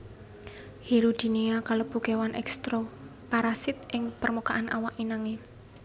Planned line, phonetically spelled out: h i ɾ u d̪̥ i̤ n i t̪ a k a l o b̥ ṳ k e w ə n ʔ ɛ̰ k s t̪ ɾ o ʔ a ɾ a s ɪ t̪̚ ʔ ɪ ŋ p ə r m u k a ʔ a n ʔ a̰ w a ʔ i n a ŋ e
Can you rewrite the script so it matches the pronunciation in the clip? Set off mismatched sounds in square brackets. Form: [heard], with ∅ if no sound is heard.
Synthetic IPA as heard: h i ɾ u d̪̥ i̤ n i [∅] a k a l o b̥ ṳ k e w [a] n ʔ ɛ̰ k s t̪ ɾ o [p] a ɾ a s ɪ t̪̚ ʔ ɪ ŋ p ə r m u k a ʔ a n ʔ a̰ w a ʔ i n a ŋ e